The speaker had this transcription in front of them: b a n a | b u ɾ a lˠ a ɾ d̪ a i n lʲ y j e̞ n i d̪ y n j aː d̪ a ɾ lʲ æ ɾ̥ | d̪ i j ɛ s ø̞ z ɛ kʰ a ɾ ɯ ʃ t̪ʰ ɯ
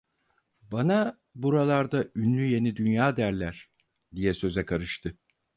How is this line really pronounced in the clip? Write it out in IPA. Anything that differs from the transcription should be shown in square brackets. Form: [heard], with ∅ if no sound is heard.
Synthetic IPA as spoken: b a n a | b u ɾ a lˠ a ɾ d̪ a [y] n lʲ y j e̞ n i d̪ y n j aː d̪ [æ] ɾ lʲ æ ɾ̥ | d̪ i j ɛ s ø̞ z ɛ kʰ a ɾ ɯ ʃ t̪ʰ ɯ